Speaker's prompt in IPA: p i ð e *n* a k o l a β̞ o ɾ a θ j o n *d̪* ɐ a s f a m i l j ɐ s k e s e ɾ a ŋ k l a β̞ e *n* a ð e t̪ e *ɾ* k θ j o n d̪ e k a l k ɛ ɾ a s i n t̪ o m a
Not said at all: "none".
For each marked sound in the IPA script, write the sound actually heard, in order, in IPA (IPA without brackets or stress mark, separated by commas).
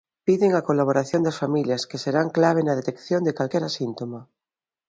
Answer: ŋ, d̪, n, none